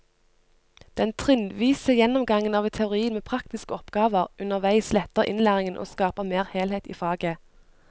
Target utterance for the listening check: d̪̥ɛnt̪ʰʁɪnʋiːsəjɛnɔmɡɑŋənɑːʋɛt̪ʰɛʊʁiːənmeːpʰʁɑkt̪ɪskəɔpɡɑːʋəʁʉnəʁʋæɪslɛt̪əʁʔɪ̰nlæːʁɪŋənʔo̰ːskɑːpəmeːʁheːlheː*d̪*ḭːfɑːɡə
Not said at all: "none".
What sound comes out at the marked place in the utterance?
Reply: t̪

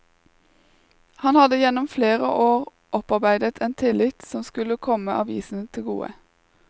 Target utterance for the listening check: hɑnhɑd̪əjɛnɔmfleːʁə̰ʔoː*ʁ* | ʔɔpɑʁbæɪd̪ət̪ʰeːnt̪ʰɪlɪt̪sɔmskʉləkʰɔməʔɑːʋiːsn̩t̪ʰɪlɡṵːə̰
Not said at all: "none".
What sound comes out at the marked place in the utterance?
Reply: ʁ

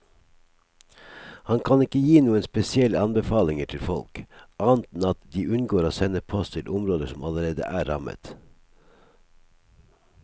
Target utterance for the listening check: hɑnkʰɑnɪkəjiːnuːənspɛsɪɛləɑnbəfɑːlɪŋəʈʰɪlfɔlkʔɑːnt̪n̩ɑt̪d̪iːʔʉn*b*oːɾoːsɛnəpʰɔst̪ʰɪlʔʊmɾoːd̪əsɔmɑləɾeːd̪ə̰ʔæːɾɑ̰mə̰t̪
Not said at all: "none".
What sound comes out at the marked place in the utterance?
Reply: ɡ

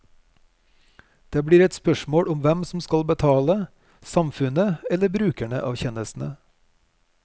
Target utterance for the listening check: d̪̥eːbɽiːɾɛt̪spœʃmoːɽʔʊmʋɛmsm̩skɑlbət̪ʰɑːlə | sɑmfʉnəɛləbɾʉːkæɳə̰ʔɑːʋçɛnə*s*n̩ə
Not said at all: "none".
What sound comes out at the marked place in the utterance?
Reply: s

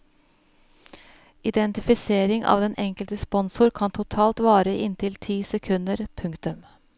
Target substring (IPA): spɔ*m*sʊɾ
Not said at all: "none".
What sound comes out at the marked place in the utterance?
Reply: n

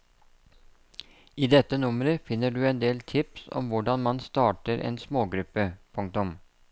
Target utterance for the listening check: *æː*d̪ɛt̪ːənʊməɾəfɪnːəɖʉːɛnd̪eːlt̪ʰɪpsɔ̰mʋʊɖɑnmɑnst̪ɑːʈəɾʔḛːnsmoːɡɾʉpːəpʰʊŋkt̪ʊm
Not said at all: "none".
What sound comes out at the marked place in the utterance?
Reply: iː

